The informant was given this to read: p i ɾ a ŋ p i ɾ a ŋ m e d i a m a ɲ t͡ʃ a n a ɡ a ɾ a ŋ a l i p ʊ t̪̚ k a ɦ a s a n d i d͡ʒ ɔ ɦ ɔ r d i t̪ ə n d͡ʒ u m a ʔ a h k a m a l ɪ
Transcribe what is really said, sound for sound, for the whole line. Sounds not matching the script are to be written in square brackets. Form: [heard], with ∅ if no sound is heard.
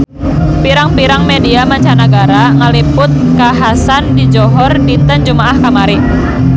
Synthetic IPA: p i ɾ a ŋ p i ɾ a ŋ m e d i a m a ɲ t͡ʃ a n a ɡ a ɾ a ŋ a l i p ʊ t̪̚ k a ɦ a s a n d i d͡ʒ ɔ ɦ ɔ r d i t̪ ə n d͡ʒ u m a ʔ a h k a m a [ɾ] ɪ